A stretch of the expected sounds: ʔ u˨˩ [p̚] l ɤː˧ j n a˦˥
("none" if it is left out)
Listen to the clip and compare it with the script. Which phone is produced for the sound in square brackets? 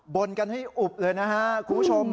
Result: p̚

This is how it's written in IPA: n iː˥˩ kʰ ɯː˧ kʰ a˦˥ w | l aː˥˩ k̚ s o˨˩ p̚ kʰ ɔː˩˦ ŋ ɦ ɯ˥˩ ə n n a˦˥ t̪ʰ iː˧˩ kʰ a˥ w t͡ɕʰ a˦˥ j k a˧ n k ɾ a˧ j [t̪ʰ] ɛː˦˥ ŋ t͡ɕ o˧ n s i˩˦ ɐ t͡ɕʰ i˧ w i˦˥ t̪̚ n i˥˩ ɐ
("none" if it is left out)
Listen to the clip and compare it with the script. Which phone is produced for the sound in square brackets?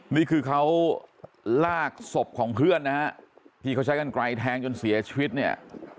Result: t̪ʰ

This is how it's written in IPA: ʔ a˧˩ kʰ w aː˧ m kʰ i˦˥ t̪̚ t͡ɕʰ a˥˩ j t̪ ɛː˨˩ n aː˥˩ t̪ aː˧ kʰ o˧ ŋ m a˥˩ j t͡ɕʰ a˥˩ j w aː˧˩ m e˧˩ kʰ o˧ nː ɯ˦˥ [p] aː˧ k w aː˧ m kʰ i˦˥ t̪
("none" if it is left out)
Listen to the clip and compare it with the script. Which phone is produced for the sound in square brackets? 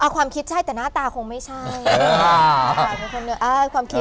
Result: ʔ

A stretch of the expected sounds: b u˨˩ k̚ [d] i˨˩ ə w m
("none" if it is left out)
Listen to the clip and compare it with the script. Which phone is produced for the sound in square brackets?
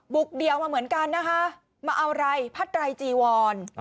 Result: d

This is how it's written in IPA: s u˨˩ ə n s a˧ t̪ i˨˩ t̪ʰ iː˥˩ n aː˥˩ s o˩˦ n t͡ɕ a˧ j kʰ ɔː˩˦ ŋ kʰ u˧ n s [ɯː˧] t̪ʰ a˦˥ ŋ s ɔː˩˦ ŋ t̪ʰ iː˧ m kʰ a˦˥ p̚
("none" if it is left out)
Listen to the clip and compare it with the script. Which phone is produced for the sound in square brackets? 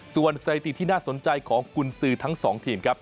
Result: ɯː˧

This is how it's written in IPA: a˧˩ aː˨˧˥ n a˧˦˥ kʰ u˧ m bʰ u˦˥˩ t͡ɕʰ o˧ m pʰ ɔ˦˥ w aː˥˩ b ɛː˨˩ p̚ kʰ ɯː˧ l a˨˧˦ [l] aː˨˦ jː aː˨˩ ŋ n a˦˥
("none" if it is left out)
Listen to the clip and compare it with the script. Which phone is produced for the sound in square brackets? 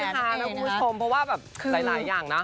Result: l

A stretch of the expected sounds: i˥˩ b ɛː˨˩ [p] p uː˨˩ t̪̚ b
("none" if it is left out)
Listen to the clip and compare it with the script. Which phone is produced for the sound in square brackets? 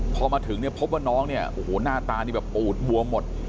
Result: p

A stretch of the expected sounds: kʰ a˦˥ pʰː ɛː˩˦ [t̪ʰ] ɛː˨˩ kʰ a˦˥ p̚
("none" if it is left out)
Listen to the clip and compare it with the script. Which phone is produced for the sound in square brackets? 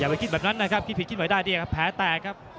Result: t̪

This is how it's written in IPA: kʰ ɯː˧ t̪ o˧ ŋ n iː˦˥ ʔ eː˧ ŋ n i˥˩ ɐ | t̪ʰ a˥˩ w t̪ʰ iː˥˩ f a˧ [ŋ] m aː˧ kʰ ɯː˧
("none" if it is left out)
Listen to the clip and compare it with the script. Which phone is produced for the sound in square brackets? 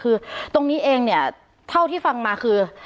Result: ŋ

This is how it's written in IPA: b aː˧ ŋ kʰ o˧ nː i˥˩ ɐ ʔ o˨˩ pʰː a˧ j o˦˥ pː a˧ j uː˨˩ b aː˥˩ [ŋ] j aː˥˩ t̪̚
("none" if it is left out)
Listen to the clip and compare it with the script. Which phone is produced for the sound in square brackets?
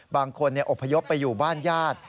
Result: n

